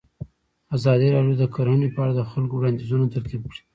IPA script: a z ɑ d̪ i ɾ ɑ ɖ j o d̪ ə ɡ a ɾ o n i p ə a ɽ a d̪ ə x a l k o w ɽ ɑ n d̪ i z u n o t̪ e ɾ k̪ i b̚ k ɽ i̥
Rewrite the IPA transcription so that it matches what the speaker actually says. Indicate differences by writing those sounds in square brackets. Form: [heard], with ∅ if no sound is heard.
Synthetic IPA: a z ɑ d̪ i ɾ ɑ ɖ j o d̪ ə [k] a ɾ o n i p ə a ɽ a d̪ ə x a l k o w ɽ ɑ n d̪ i z u n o t̪ [a] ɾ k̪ i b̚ k ɽ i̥